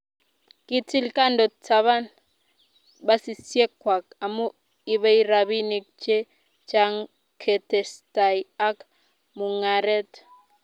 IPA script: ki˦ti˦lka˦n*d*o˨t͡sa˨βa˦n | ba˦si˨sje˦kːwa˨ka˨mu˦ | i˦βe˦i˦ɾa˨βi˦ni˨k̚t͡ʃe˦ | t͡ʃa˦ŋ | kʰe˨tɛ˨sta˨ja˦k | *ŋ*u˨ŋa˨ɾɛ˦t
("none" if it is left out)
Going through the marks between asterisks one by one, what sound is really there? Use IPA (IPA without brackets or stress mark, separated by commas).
d, m